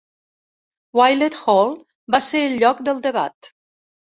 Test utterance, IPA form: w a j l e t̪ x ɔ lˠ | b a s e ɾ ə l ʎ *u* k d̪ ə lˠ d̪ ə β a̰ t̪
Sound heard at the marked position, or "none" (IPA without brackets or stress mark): ɔ